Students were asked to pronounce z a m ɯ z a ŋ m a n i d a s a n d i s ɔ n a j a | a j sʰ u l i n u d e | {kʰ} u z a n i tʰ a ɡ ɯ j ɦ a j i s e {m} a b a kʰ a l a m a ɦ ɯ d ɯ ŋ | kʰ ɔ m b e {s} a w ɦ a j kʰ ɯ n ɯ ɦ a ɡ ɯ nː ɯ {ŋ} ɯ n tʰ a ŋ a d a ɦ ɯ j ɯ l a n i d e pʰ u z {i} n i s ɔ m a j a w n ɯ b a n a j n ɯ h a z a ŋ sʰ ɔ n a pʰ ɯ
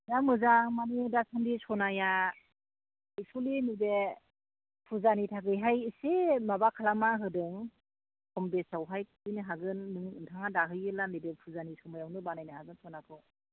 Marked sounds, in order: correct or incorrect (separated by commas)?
incorrect, correct, correct, correct, incorrect